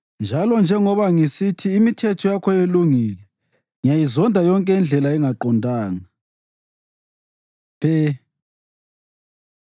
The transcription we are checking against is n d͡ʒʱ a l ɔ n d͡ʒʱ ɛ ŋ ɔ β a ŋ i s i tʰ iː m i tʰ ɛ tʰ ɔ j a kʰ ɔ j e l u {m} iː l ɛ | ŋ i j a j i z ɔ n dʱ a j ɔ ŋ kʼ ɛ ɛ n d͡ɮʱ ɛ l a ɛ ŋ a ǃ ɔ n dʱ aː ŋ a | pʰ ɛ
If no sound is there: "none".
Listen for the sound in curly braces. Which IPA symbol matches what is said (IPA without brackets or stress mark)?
ŋ